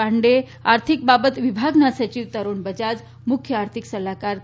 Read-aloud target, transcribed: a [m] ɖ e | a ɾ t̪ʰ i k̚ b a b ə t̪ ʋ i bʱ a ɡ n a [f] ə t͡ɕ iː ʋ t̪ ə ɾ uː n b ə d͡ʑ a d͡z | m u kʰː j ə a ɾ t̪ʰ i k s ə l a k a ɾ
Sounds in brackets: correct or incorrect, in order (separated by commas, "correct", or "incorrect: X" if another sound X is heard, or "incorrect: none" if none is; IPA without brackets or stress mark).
incorrect: ɳ, incorrect: s